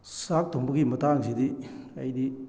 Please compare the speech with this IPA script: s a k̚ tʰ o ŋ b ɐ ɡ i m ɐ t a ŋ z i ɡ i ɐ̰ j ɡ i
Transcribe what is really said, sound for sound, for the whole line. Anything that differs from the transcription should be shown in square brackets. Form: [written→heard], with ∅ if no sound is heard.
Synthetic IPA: s a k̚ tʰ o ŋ b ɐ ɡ i m ɐ t a ŋ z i [ɡ→d] i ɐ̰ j [ɡ→d] i